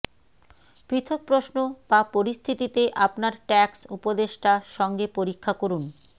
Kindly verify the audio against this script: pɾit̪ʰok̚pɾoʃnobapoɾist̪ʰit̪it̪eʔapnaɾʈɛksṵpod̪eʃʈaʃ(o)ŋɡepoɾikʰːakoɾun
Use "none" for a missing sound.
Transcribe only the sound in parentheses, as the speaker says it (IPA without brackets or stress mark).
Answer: ɔ